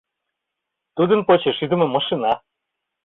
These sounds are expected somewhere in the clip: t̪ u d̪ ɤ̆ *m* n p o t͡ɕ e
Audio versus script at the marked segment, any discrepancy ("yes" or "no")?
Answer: yes